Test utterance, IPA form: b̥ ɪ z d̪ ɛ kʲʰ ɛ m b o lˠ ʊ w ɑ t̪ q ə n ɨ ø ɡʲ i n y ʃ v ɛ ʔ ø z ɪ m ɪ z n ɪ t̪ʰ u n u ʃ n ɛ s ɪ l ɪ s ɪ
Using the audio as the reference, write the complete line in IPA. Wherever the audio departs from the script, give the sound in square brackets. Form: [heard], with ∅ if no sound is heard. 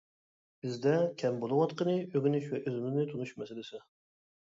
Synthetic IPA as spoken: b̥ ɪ z d̪ ɛ kʲʰ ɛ m b o lˠ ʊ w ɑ t̪ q ə n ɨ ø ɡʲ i n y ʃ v ɛ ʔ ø z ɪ m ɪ z n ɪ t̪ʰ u n u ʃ [m] ɛ s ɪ l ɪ s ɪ